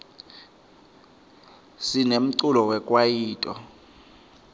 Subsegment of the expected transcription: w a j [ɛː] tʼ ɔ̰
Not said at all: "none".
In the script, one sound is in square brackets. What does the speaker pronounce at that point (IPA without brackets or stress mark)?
iː